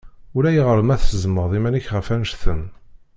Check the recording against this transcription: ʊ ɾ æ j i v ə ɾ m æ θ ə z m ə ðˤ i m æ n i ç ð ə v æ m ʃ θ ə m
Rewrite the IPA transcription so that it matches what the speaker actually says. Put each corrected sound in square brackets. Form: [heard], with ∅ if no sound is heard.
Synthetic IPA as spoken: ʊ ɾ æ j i [ʁ] ə ɾ m æ θ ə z m ə ðˤ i m æ n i ç [ʁ] ə [f] æ [n] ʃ θ ə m